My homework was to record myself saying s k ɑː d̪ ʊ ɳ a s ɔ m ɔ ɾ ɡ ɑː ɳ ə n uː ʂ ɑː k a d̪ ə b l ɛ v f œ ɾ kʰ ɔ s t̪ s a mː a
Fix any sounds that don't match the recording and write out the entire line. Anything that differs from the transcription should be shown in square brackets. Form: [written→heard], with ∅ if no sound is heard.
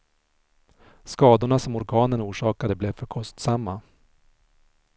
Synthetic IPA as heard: s k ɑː d̪ ʊ ɳ a s ɔ m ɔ ɾ ɡ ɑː [ɳ→n] ə n uː ʂ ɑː k a d̪ ə b l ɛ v f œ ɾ kʰ ɔ s t̪ s a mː a